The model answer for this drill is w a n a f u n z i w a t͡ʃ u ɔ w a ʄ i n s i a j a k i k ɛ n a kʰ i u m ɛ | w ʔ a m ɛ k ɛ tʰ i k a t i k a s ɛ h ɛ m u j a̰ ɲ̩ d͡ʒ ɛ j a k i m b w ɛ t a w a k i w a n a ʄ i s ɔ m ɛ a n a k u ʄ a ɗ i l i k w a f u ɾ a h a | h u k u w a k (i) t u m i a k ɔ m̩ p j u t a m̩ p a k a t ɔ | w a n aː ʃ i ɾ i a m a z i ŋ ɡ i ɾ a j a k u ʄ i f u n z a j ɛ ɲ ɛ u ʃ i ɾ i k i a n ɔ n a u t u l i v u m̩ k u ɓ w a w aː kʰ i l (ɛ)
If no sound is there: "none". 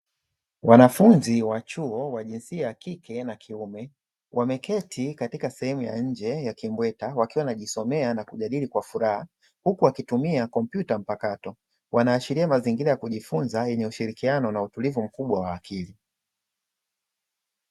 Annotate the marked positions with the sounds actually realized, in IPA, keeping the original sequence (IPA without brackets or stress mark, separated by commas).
i, i